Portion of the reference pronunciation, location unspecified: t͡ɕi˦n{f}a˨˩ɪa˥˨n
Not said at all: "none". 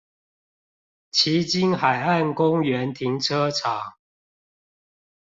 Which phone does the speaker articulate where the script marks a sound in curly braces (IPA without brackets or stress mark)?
x